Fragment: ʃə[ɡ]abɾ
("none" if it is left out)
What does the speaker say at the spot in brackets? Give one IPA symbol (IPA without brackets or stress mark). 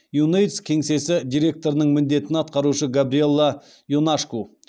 ɡ